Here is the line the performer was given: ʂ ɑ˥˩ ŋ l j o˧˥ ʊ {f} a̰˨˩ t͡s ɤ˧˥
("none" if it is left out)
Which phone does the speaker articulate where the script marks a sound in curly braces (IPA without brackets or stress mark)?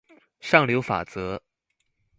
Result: f